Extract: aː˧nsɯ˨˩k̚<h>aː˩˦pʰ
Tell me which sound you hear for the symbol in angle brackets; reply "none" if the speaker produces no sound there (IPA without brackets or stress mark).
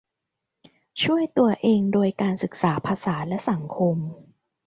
s